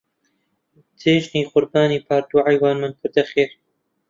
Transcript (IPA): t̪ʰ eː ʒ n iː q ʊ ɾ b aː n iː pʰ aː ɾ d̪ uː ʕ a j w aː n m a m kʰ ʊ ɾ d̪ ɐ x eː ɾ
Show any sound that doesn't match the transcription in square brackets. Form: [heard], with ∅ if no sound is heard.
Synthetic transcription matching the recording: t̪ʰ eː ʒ n iː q ʊ ɾ b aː n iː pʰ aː ɾ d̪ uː ʕ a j w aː n m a [n] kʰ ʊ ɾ d̪ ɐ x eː ɾ